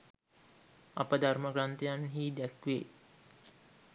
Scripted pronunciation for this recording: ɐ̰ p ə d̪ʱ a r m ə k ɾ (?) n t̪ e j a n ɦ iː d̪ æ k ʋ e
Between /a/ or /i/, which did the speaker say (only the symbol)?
a